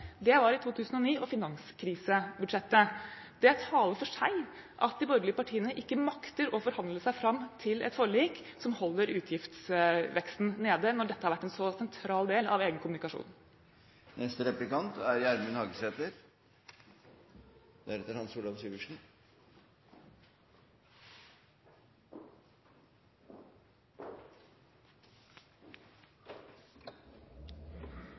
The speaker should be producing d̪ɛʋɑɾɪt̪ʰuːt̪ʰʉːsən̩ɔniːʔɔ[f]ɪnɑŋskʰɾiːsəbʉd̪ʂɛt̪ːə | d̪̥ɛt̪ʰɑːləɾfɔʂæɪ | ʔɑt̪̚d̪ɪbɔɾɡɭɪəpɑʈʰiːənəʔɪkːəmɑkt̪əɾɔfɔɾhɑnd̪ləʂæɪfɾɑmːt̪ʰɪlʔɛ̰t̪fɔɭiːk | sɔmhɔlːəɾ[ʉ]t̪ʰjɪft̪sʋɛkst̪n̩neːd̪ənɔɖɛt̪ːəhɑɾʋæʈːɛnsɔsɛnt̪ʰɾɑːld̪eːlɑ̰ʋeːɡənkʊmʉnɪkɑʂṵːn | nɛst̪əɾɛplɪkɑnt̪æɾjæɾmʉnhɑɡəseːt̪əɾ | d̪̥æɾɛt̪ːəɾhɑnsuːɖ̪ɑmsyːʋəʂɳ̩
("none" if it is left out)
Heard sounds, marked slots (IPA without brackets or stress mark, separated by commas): f, ʉː